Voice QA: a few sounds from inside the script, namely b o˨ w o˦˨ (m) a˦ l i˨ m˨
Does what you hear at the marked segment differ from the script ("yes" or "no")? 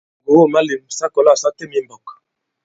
no